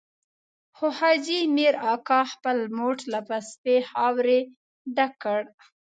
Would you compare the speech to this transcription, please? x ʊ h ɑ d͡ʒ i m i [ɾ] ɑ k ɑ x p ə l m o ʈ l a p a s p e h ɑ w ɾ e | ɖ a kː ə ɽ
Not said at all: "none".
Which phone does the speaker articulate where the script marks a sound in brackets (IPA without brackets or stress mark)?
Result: ɾ